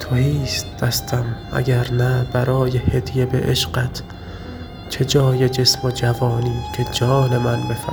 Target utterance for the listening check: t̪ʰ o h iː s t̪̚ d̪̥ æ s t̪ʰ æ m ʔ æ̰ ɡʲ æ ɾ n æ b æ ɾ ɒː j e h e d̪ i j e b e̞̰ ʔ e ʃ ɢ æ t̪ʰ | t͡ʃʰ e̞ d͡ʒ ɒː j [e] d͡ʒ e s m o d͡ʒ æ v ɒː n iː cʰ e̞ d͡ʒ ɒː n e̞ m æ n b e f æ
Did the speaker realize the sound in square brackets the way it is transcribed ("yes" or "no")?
yes